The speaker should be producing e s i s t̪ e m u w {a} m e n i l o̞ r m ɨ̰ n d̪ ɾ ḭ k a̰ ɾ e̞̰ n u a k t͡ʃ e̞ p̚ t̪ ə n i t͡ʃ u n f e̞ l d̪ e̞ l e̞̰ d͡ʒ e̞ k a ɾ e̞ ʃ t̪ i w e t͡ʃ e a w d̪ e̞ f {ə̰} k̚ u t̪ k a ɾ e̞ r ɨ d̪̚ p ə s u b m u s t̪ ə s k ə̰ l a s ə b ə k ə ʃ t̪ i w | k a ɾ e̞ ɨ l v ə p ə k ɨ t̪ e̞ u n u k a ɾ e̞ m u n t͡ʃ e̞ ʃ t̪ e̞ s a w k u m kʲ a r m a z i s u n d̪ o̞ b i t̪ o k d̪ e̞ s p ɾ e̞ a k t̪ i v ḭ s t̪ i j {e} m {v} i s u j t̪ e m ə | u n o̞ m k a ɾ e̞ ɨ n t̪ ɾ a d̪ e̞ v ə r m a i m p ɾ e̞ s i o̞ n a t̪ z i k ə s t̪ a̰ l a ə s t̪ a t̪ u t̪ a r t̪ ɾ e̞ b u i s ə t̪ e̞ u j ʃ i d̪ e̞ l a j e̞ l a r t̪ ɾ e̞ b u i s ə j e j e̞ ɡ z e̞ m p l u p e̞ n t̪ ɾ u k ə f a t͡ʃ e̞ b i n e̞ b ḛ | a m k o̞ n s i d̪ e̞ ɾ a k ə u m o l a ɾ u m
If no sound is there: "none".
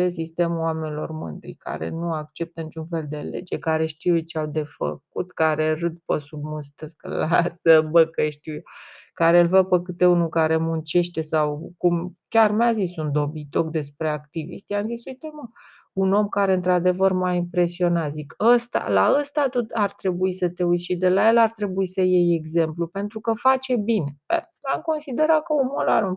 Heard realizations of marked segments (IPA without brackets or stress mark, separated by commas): a, ə̰, a, z